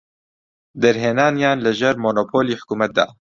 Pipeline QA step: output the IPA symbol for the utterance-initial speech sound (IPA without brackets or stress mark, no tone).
d̪